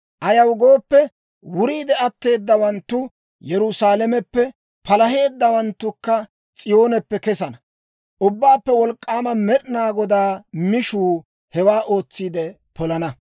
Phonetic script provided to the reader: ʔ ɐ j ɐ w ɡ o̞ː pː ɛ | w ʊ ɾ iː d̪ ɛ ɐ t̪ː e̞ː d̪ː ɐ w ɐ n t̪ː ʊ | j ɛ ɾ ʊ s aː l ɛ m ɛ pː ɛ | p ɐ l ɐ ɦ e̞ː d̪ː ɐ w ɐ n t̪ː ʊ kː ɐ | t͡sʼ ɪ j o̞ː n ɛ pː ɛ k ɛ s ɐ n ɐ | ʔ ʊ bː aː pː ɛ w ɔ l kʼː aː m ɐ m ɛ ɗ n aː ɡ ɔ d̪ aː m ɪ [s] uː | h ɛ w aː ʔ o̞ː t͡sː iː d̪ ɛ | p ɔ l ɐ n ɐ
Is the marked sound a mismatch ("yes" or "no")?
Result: yes